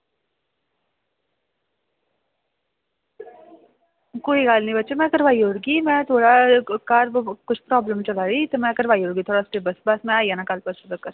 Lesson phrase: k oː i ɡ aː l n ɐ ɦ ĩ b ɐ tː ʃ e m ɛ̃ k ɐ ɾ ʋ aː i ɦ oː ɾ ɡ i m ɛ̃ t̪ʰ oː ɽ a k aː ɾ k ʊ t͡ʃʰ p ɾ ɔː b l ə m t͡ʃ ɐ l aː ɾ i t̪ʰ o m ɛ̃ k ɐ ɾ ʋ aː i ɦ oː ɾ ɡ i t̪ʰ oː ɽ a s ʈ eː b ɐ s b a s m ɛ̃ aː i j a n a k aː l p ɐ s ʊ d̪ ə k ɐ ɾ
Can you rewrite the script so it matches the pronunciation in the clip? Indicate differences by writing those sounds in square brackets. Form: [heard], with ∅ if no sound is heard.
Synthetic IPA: k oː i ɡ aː l n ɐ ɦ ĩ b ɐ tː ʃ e m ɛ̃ k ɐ ɾ ʋ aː i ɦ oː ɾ ɡ i m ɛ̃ t̪ʰ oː ɽ a k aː ɾ k ʊ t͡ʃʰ p ɾ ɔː b l ə m t͡ʃ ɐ l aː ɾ i [t̪] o m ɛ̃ k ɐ ɾ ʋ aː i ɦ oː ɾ ɡ i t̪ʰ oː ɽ a s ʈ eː b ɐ s b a s m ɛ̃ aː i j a n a k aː l p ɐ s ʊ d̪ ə k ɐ ɾ

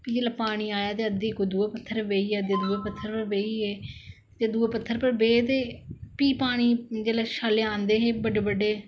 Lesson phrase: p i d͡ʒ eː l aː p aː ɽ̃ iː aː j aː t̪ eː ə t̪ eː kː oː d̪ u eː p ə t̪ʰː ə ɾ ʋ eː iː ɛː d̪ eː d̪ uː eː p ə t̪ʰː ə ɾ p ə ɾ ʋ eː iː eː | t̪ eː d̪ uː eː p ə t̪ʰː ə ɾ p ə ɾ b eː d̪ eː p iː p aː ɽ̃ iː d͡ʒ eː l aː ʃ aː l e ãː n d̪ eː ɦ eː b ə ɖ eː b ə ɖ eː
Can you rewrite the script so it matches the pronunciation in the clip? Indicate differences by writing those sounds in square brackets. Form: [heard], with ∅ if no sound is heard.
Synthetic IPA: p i d͡ʒ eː l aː p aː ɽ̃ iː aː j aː t̪ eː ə [d̪] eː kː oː d̪ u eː p ə t̪ʰː ə ɾ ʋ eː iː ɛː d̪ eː d̪ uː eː p ə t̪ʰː ə ɾ p ə ɾ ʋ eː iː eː | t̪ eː d̪ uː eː p ə t̪ʰː ə ɾ p ə ɾ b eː [t̪] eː p iː p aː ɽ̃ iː d͡ʒ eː l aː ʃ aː l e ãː n d̪ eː ɦ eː b ə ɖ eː b ə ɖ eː

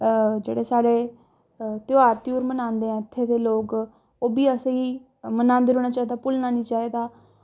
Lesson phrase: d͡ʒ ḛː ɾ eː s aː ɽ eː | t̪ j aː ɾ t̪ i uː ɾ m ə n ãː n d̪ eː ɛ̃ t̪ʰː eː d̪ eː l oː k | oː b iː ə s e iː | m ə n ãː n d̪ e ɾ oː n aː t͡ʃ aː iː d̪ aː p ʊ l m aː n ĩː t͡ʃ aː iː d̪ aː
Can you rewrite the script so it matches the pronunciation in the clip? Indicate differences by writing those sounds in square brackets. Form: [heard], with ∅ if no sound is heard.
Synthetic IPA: d͡ʒ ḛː [ɽ] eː s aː ɽ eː | t̪ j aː ɾ t̪ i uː ɾ m ə n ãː n d̪ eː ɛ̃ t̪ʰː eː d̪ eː l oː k | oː b iː ə s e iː | m ə n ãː n d̪ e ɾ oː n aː t͡ʃ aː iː d̪ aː p ʊ l [n] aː n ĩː t͡ʃ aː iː d̪ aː

